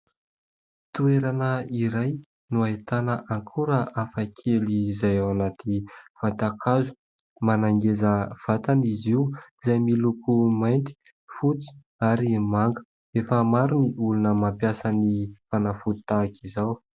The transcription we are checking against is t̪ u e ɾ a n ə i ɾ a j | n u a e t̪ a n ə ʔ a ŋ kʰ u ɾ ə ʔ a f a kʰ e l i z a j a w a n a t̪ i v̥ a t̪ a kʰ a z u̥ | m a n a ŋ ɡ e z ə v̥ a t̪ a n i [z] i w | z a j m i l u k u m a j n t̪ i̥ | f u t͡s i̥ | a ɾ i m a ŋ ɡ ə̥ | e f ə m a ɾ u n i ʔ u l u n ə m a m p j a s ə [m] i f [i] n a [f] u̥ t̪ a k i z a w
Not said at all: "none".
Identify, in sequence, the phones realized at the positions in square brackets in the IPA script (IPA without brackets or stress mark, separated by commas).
z, n, a, f